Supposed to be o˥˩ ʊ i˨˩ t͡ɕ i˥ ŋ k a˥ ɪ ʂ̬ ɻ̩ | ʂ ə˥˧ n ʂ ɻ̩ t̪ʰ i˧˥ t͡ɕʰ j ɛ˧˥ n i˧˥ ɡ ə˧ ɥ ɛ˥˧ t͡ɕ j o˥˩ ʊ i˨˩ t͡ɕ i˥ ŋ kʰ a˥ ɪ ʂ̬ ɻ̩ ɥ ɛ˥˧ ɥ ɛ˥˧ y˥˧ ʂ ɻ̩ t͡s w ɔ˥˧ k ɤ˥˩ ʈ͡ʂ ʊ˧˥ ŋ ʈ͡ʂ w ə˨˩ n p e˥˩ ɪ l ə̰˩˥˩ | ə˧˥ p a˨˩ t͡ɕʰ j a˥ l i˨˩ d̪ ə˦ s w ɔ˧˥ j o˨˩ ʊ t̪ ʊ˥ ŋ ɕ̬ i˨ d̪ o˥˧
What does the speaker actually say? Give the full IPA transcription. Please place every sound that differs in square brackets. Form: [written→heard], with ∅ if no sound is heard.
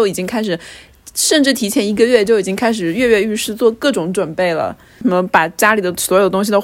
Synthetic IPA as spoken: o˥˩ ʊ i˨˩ t͡ɕ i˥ ŋ [k→kʰ] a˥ ɪ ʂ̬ ɻ̩ | ʂ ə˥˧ n [ʂ→ʈ͡ʂ] ɻ̩ t̪ʰ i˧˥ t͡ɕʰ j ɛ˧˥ n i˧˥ ɡ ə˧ ɥ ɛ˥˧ t͡ɕ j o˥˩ ʊ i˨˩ t͡ɕ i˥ ŋ kʰ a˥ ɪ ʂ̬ ɻ̩ ɥ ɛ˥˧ ɥ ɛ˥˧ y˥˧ ʂ ɻ̩ t͡s w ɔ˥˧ k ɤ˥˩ ʈ͡ʂ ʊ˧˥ ŋ ʈ͡ʂ w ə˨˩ n p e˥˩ ɪ l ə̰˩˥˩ | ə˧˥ p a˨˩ [t͡ɕʰ→t͡ɕ] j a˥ l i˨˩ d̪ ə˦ s w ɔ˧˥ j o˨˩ ʊ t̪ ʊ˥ ŋ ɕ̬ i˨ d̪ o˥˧